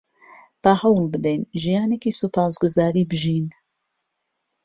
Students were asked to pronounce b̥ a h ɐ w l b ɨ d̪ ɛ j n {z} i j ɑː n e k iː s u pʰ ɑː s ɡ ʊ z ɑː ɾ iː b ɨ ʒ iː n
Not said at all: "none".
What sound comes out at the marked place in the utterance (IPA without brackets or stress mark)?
ʒ